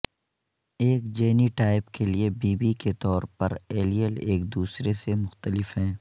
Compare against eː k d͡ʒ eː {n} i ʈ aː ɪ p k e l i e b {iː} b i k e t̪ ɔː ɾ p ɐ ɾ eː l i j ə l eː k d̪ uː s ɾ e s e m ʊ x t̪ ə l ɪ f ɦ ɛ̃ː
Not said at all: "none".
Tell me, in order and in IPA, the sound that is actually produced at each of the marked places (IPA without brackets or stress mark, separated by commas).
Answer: n, iː